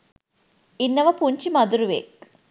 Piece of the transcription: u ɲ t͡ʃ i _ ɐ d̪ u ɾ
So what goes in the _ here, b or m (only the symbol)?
m